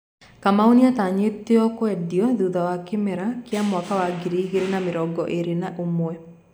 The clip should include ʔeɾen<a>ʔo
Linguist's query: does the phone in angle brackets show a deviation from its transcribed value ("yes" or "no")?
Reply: no